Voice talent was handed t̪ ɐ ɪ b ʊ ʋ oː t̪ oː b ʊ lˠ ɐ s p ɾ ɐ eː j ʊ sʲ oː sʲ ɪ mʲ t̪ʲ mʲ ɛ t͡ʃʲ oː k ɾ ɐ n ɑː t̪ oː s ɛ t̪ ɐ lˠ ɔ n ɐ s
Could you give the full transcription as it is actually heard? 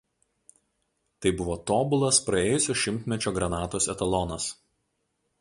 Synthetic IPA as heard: t̪ ɐ ɪ b ʊ ʋ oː t̪ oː b ʊ lˠ ɐ s p ɾ ɐ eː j ʊ sʲ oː ʃʲ ɪ mʲ t̪ʲ mʲ ɛ t͡ʃʲ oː ɡ ɾ ɐ n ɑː t̪ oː s ɛ t̪ ɐ lˠ ɔ n ɐ s